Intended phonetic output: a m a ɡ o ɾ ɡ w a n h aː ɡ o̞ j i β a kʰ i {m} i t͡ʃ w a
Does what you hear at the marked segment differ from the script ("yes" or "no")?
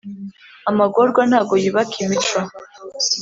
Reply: no